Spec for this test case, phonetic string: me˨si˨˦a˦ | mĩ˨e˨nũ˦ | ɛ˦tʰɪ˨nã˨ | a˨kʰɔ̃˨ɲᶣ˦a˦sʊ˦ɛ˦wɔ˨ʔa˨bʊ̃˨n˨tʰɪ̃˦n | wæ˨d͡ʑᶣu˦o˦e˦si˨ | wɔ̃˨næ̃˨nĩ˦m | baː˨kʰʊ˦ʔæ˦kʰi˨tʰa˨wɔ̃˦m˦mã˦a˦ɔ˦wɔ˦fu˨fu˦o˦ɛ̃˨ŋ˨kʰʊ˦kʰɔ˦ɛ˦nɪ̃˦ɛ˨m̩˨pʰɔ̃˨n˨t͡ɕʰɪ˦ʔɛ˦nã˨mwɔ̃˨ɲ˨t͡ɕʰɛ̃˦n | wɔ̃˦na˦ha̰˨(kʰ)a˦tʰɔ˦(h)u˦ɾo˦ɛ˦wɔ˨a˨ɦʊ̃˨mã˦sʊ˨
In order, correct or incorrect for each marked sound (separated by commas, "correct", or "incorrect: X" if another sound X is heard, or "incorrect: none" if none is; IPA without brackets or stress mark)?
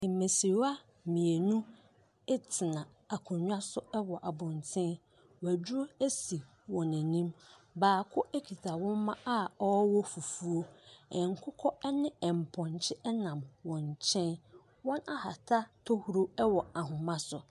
incorrect: tʰ, correct